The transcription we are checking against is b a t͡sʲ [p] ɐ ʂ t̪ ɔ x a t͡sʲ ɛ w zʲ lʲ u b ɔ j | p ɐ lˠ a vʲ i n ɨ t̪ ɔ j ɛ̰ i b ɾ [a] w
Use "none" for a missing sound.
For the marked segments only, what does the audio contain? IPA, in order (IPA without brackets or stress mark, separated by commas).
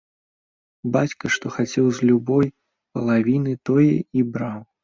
k, a